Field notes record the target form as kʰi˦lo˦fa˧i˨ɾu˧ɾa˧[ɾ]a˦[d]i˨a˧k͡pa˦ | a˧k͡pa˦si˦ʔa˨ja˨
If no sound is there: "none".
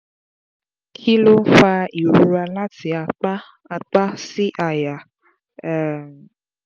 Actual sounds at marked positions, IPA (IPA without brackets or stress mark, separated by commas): l, t